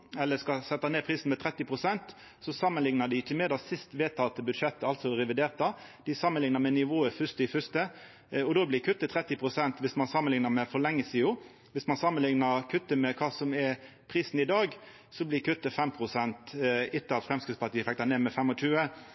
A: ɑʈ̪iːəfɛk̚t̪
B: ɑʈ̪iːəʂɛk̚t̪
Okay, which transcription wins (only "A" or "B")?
A